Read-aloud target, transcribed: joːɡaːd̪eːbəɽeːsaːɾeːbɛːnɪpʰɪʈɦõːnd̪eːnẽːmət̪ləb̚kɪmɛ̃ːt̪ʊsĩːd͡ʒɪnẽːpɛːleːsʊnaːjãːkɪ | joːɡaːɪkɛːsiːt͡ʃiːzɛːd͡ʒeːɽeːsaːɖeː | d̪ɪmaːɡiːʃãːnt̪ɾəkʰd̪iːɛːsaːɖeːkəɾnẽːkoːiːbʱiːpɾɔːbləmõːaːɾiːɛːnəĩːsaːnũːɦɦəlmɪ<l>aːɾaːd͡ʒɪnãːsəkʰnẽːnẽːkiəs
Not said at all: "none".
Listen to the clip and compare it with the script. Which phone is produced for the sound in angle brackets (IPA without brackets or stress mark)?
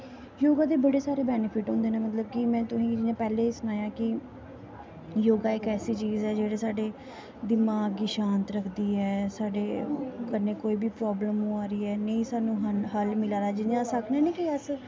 l